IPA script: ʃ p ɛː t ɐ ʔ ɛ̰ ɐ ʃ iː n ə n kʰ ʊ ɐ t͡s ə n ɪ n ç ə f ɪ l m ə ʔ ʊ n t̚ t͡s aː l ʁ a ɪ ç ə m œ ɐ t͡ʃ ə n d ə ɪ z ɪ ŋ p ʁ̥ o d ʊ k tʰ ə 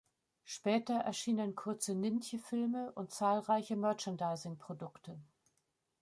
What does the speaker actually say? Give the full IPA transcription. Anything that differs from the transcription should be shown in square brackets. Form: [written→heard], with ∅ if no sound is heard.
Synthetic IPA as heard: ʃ p ɛː t ɐ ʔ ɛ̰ ɐ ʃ iː n ə n kʰ ʊ ɐ t͡s ə n ɪ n ç ə f ɪ l m ə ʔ ʊ n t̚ t͡s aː l ʁ a ɪ ç ə m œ ɐ t͡ʃ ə n d [ə→a] ɪ z ɪ ŋ p ʁ̥ o d ʊ k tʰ ə